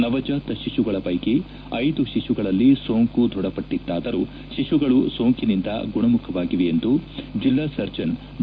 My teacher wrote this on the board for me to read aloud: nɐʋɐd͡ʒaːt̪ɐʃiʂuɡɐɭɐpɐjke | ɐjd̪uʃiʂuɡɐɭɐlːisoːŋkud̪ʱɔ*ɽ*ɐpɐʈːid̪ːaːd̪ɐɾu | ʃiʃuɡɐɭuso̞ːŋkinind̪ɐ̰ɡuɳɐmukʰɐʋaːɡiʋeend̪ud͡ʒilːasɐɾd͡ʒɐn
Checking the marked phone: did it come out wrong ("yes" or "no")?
no